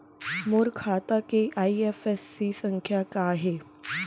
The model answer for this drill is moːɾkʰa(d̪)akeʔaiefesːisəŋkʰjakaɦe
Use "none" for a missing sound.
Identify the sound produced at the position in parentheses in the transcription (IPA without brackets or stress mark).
t̪